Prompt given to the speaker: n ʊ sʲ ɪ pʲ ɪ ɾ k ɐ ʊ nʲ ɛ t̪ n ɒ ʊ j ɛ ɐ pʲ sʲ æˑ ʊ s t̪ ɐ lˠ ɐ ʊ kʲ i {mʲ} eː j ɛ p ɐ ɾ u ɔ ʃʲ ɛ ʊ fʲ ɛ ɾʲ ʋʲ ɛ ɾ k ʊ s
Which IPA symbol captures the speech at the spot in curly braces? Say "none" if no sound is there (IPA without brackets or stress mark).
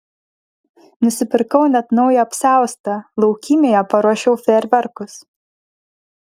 mʲ